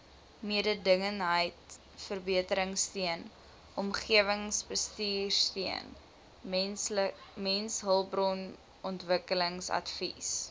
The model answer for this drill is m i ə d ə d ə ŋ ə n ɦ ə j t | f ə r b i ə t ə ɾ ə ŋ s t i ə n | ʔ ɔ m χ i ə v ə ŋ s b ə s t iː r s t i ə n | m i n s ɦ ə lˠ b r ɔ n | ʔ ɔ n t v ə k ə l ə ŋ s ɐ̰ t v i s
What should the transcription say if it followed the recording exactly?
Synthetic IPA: m i ə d ə d ə ŋ ə n ɦ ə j t | f ə r b i ə t ə ɾ ə ŋ s t i ə n | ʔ ɔ m χ i ə v ə ŋ s b ə s t iː r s t i ə n | m ɛ n s ɦ ə lˠ b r ɔ n | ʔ ɔ n t v ə k ə l ə ŋ s ɐ̰ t f i s